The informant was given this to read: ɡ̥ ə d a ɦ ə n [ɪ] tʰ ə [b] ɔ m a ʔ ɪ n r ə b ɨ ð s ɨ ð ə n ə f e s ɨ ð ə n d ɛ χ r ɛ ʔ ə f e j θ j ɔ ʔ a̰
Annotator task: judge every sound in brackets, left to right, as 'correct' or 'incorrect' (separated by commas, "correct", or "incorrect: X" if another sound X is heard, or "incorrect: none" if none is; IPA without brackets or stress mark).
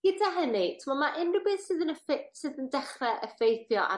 incorrect: i, incorrect: m